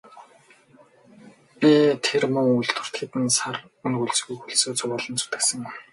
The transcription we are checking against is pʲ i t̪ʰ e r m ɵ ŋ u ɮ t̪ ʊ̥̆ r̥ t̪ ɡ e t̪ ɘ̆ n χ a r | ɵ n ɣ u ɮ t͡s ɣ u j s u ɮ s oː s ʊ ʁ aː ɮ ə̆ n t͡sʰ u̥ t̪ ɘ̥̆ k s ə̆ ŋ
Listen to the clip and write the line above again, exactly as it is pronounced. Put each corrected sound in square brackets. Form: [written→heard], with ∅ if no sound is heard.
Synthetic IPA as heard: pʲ i t̪ʰ e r m ɵ ŋ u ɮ t̪ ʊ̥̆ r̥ t̪ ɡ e t̪ ɘ̆ n [χ→s] a r | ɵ n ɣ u ɮ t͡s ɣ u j [s→x] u ɮ s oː [s→t͡s] ʊ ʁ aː ɮ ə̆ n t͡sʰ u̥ t̪ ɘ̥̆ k s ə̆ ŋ